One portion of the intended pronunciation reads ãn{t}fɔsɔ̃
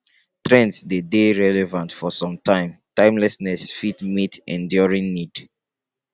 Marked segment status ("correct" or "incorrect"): correct